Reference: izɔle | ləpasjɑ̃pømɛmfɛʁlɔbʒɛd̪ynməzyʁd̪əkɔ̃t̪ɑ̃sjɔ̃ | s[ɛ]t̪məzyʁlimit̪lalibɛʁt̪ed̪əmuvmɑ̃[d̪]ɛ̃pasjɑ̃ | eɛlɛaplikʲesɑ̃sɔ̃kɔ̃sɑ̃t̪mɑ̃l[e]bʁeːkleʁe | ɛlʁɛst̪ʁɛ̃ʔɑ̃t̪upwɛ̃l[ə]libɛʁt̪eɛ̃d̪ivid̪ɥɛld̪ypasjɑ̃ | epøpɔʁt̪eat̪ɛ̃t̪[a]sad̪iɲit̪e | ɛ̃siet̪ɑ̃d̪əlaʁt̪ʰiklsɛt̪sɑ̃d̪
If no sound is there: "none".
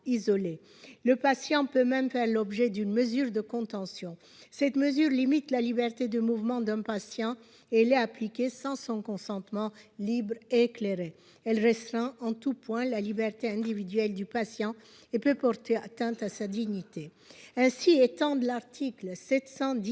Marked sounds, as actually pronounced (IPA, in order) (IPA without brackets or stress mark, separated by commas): ɛ, d̪, i, a, a